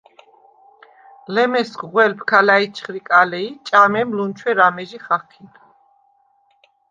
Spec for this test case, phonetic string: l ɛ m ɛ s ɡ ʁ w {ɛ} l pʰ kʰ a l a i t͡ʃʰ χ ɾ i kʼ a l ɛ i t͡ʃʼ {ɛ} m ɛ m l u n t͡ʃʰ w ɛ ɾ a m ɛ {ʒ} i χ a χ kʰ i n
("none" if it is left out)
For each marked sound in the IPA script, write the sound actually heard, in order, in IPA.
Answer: ɛ, a, ʒ

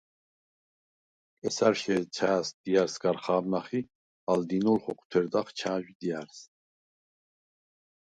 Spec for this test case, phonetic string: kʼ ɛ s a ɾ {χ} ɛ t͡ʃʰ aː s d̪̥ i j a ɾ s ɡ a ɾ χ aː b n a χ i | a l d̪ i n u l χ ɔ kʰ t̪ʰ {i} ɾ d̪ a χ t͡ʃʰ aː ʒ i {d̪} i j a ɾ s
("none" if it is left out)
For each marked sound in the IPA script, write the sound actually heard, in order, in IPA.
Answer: ʃ, ɛ, d̪

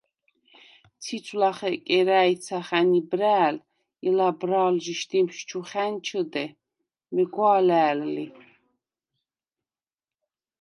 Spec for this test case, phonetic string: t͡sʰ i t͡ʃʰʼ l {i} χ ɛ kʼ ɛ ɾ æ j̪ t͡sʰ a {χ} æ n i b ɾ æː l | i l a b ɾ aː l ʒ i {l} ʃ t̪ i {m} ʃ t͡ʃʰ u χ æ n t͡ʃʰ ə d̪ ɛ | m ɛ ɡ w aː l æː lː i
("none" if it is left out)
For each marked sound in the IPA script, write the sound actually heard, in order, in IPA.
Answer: a, χ, none, m

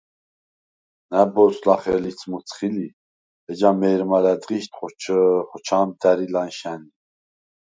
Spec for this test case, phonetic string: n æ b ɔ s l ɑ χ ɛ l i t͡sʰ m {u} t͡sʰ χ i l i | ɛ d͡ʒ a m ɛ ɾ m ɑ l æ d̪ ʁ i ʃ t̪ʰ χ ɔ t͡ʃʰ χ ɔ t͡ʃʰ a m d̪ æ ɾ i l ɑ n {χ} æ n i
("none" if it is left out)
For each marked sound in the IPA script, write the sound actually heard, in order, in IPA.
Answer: u, ʃ

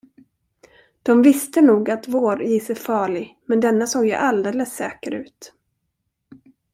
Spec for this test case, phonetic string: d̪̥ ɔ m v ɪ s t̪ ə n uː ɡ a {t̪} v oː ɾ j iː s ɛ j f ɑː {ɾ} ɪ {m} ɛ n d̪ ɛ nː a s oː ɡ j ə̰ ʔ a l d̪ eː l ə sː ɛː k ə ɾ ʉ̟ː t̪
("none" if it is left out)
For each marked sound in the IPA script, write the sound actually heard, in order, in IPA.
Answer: t̪, ɭ, m

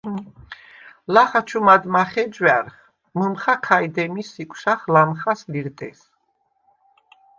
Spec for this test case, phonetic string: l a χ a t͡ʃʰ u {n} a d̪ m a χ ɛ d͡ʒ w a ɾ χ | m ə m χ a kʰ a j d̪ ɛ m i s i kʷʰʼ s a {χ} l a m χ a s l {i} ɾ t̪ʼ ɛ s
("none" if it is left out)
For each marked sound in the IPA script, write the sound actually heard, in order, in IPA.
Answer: m, χ, i

